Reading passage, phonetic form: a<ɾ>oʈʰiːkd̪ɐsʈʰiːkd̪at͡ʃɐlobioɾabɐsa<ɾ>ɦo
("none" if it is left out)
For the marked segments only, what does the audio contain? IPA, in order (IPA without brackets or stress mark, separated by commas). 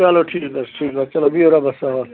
l, none